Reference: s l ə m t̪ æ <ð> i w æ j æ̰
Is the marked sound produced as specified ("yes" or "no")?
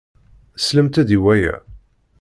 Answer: yes